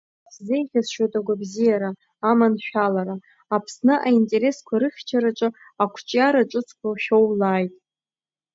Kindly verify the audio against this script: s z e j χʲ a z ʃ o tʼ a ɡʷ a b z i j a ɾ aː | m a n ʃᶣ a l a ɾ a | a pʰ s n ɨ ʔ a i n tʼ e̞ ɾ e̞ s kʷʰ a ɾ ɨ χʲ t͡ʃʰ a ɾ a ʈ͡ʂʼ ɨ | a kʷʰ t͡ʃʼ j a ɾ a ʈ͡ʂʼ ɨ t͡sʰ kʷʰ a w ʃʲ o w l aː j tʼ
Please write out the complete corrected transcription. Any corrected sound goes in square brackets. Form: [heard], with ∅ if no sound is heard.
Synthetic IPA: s z e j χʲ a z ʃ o tʼ a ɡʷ a b z i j a ɾ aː | m a n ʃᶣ a l a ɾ a | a pʰ s n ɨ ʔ a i n tʼ e̞ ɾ e̞ s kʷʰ a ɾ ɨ χʲ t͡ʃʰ a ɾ a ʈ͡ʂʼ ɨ | a kʷʰ t͡ʃʼ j a ɾ a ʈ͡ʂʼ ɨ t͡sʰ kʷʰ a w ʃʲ o w l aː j tʼ